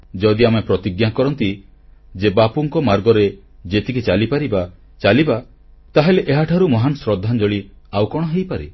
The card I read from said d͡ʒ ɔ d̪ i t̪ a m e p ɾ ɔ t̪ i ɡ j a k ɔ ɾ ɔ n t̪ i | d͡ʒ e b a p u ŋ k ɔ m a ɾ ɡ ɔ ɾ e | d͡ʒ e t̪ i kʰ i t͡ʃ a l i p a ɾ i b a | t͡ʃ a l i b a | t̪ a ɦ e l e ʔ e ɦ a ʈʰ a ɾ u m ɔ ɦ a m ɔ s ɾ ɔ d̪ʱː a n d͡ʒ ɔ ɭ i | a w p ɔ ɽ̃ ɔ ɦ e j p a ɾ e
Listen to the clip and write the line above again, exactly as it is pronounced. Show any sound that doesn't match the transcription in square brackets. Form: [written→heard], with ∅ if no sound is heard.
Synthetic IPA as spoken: d͡ʒ ɔ d̪ i [t̪→∅] a m e p ɾ ɔ t̪ i ɡ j a k ɔ ɾ ɔ n t̪ i | d͡ʒ e b a p u ŋ k ɔ m a ɾ ɡ ɔ ɾ e | d͡ʒ e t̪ i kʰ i t͡ʃ a l i p a ɾ i b a | t͡ʃ a l i b a | t̪ a ɦ e l e ʔ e ɦ a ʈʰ a ɾ u m ɔ ɦ a [m→n] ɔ s ɾ ɔ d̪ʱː a n d͡ʒ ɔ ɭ i | a w [p→k] ɔ ɽ̃ ɔ ɦ e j p a ɾ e